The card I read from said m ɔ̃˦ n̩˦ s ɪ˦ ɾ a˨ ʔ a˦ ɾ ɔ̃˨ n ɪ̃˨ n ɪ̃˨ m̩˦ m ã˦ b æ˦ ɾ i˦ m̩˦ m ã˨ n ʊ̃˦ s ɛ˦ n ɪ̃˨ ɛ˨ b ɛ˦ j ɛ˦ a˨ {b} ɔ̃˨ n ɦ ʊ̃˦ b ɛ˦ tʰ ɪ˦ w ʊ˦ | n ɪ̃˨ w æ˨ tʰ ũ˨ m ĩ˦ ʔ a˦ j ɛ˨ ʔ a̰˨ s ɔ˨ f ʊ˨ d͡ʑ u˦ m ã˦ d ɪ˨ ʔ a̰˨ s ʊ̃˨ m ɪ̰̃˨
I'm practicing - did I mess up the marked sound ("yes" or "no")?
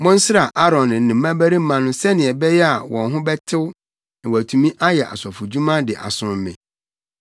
yes